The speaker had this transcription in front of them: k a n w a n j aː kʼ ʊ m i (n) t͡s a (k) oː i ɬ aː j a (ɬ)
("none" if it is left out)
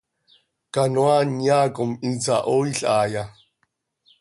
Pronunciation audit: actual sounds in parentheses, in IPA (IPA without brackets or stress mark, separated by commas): n, ʔ, none